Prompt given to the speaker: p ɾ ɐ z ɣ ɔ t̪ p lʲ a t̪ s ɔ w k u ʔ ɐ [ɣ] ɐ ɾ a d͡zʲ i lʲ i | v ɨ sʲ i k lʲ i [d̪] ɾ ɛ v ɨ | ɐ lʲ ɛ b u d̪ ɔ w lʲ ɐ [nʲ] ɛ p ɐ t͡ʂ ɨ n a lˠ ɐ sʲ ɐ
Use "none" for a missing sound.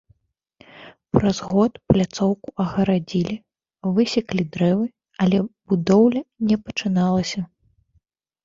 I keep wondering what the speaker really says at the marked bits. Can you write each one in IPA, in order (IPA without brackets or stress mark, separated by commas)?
ɣ, d̪, nʲ